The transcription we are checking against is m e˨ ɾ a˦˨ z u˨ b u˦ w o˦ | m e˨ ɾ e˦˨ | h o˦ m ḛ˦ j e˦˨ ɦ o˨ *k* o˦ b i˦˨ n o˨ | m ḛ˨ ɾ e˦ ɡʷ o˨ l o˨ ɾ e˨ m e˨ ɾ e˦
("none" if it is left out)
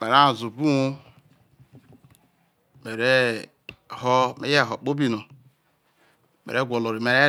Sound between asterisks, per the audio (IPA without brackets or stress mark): k͡p